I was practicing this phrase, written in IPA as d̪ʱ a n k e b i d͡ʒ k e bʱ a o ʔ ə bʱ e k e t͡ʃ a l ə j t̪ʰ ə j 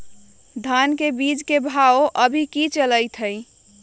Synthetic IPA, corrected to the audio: d̪ʱ a n k e b i d͡ʒ k e bʱ a o ʔ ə bʱ i k i t͡ʃ ə l ə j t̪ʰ ə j